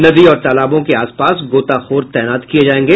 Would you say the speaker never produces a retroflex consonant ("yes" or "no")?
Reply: yes